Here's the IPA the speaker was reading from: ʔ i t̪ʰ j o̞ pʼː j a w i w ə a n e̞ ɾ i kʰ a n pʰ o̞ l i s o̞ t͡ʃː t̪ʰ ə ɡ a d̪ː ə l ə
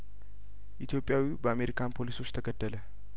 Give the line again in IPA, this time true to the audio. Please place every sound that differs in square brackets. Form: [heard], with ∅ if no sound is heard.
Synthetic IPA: ʔ i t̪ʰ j o̞ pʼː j a w i [b] ə a [m] e̞ ɾ i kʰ a n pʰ o̞ l i s o̞ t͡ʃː t̪ʰ ə ɡ [ə] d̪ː ə l ə